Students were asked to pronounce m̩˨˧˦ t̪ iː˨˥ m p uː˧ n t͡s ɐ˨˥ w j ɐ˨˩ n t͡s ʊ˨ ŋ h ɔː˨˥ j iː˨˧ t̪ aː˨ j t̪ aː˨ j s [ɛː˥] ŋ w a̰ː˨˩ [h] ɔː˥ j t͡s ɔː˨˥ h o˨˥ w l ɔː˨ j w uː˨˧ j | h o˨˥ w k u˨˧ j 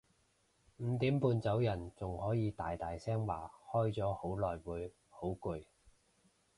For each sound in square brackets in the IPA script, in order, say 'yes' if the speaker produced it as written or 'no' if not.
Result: yes, yes

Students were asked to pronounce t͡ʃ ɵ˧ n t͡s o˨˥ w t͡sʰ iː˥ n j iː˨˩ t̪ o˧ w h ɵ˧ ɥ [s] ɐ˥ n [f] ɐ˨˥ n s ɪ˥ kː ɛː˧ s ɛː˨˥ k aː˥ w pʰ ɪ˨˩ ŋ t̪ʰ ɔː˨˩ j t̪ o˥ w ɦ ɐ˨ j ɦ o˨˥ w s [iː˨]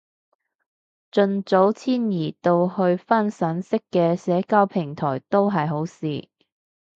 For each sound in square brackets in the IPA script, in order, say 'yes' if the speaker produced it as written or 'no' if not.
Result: no, no, yes

